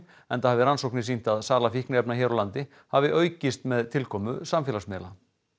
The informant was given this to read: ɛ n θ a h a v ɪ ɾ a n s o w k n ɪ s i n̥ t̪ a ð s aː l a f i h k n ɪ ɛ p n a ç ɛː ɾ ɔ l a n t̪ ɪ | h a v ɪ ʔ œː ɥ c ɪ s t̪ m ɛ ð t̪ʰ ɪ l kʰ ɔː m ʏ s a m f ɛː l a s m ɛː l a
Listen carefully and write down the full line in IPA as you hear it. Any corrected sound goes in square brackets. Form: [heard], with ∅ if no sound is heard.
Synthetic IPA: ɛ n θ a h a v ɪ ɾ a n s o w k n ɪ s i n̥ t̪ a ð s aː l a f i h k n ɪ ɛ p n a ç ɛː ɾ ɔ l a n t̪ ɪ | h a v ɪ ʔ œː ɥ c ɪ s t̪ m ɛ ð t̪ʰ ɪ l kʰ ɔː m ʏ s a m f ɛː l a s m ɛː l a